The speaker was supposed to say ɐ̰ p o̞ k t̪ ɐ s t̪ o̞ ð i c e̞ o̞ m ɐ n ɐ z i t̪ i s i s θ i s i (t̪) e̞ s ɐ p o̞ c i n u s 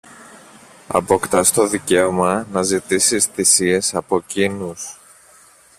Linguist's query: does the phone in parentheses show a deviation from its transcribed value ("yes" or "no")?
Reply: yes